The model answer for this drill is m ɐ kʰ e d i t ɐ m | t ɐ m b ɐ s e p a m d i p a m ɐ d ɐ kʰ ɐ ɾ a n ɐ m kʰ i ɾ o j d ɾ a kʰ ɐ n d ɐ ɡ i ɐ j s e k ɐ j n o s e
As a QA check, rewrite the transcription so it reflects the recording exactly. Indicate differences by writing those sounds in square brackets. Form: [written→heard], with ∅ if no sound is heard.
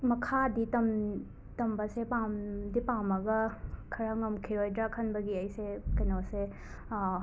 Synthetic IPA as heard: m ɐ kʰ [e→a] d i t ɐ m | t ɐ m b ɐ s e p a m d i p a m ɐ [d→ɡ] ɐ kʰ ɐ ɾ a [n→ŋ] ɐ m kʰ i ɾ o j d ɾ a kʰ ɐ n [d→b] ɐ ɡ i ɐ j s e k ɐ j n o s e